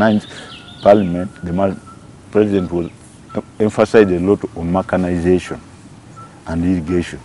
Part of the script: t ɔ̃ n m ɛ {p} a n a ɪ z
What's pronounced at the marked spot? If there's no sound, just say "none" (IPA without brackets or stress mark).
k